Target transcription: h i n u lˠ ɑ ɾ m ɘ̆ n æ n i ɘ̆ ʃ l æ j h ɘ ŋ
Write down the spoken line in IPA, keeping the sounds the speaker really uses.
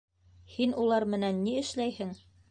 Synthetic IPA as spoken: h i n u lˠ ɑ ɾ m ɘ̆ n æ nː i ɘ̆ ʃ l æ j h ɘ ŋ